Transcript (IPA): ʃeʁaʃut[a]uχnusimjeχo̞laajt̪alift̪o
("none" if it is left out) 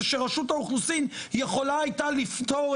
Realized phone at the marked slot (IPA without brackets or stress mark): a